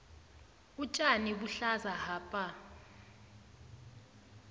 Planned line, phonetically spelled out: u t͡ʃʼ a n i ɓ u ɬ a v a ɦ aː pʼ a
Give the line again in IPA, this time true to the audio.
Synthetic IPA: u t͡ʃʼ a n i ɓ u ɬ a z a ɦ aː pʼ a